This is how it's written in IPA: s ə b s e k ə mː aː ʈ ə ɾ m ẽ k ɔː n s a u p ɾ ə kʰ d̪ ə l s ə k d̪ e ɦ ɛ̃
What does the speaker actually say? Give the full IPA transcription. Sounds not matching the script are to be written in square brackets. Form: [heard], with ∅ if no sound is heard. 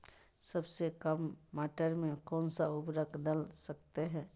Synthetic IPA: s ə b s e k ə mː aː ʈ ə ɾ m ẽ k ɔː n s a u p ɾ ə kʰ d̪ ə l s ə k [t̪] e ɦ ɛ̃